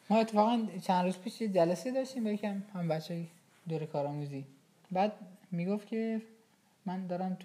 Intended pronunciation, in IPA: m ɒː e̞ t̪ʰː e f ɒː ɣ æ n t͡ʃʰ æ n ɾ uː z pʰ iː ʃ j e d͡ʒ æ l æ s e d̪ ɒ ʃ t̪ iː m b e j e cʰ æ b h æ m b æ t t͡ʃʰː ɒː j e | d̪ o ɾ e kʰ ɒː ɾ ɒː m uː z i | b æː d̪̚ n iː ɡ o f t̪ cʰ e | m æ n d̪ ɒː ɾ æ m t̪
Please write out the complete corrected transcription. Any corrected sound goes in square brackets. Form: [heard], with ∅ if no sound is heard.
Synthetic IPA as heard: m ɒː e̞ t̪ʰː e f ɒː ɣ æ n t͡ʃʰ æ n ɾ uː z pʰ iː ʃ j e d͡ʒ æ l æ s e d̪ ɒ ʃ t̪ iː m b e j e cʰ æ [m] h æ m b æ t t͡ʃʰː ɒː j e | d̪ o ɾ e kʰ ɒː ɾ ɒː m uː z i | b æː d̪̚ [m] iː ɡ o f t̪ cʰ e | m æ n d̪ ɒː ɾ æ m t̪